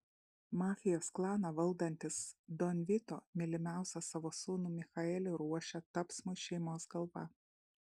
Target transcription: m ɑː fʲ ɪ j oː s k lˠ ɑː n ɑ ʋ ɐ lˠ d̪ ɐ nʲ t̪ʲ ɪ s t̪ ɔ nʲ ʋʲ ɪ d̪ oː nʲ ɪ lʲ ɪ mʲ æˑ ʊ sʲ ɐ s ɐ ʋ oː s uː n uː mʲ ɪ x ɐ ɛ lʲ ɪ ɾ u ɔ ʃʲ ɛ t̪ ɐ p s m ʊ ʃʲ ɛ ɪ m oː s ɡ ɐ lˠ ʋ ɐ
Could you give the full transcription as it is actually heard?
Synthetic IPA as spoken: m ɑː fʲ ɪ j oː s k lˠ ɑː n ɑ ʋ ɐ lˠ d̪ ɐ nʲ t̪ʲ ɪ s d̪ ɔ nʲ ʋʲ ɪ t̪ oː mʲ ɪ lʲ ɪ mʲ æˑ ʊ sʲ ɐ s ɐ ʋ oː s uː n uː mʲ ɪ x ɐ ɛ lʲ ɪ ɾ u ɔ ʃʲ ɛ t̪ ɐ p s m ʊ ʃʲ ɛ ɪ m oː s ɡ ɐ lˠ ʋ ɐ